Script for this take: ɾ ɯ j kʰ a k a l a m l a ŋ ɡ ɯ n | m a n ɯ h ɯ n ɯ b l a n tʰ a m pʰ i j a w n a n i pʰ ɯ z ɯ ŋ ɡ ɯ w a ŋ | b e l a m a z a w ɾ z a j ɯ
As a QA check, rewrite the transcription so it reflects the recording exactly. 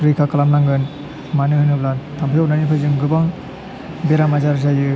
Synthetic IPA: ɾ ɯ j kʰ a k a l a m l a ŋ ɡ ɯ n | m a n ɯ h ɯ n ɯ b l a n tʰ a m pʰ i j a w n a n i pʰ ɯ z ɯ ŋ ɡ ɯ b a ŋ | b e ɾ a m a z a ɾ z a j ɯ